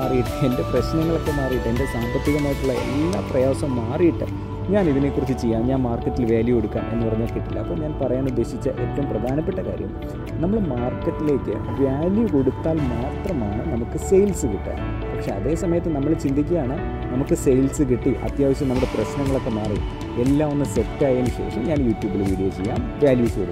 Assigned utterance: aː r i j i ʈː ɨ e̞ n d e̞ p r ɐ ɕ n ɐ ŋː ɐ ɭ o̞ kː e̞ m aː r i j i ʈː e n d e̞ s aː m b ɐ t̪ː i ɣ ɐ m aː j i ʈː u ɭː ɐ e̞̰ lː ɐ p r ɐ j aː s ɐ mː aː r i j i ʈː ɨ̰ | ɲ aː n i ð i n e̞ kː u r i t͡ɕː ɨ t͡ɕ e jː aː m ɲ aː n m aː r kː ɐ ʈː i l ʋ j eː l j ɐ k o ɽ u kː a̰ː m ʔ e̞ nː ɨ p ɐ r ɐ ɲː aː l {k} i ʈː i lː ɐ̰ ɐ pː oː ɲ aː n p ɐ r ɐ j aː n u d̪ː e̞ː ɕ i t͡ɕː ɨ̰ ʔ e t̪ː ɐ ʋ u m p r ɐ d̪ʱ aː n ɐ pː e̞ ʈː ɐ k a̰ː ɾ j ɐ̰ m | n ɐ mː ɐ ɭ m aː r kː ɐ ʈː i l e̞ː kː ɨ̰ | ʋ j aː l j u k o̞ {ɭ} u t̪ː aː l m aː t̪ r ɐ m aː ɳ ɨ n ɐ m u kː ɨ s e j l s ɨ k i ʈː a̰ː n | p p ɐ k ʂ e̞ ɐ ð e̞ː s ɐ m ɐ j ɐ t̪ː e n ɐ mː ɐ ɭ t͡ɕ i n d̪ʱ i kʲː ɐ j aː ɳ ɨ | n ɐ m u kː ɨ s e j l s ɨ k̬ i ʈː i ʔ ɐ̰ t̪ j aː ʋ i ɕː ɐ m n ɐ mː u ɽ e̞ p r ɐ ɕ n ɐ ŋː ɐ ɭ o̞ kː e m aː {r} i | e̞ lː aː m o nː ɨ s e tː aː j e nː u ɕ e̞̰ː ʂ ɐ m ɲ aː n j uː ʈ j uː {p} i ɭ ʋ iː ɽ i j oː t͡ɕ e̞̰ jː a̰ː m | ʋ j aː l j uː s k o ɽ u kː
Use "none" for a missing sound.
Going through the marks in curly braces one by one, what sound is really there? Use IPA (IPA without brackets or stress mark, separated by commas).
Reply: k, ɽ, r, b